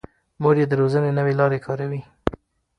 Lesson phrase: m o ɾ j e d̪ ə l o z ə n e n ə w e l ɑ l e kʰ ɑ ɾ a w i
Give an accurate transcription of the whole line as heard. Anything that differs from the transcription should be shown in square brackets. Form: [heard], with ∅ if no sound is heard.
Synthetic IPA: m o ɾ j e d̪ ə [ɾ] o z ə n e n ə w e l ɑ [ɾ] e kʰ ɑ ɾ a w i